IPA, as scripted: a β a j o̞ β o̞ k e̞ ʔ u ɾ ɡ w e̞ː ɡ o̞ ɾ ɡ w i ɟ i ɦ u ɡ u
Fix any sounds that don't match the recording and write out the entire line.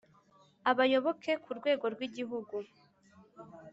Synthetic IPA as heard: a β a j o̞ β o̞ k e̞ k u ɾ ɡ w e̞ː ɡ o̞ ɾ ɡ w i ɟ i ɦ u ɡ u